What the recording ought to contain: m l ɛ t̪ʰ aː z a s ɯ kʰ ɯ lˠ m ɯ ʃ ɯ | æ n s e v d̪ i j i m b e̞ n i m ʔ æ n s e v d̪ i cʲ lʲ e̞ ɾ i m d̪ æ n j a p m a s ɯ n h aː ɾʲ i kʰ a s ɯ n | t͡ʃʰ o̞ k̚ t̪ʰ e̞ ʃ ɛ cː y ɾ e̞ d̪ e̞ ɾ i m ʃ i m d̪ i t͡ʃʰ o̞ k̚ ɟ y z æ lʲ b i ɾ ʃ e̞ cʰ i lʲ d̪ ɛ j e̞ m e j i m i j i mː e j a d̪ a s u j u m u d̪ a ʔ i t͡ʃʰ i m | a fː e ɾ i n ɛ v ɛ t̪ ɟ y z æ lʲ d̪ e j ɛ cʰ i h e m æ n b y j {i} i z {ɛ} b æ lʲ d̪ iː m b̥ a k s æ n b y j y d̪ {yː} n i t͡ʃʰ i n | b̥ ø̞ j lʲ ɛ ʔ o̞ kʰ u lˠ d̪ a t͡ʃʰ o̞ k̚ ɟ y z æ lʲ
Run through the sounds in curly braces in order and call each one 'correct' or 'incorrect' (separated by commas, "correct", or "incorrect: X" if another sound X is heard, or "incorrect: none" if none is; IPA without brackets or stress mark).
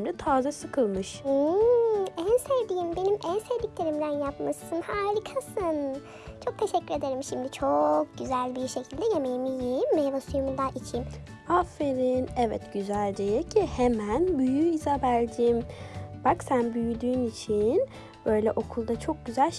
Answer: incorrect: y, incorrect: a, correct